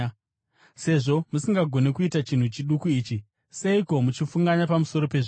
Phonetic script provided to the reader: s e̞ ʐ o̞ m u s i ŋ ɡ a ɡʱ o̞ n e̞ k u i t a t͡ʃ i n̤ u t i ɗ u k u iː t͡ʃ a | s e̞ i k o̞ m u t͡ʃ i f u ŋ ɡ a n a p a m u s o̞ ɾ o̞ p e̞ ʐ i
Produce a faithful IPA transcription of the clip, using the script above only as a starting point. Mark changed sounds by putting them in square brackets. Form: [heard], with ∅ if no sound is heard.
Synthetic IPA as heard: s e̞ ʐ o̞ m u s i ŋ ɡ a ɡʱ o̞ n e̞ k u i t a t͡ʃ i n̤ u [t͡ʃ] i ɗ u k u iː t͡ʃ [i] | s e̞ i k o̞ m u t͡ʃ i f u ŋ ɡ a [ɲ] a p a m u s o̞ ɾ o̞ p e̞ ʐ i